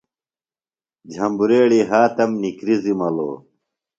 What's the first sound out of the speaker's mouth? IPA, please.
d͡ʑʱ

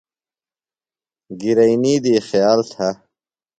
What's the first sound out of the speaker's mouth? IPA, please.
ɡ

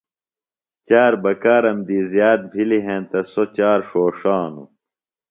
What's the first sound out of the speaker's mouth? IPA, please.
t͡ɕ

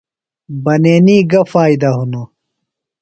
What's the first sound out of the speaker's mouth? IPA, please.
b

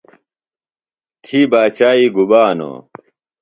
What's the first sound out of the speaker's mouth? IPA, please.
t̪ʰ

